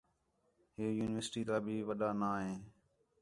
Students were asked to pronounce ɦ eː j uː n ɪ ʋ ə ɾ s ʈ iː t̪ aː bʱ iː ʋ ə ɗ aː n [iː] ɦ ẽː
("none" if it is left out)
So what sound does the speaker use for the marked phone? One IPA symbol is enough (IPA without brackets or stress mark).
aː